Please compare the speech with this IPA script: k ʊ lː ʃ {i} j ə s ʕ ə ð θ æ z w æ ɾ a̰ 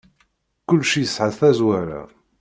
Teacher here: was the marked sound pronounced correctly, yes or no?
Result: yes